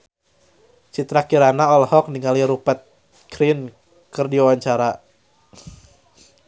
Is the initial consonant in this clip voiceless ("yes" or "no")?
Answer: yes